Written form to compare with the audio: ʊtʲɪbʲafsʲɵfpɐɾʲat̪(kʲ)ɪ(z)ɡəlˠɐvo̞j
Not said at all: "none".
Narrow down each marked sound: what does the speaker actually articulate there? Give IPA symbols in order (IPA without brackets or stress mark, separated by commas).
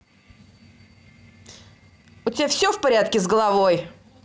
kʲ, z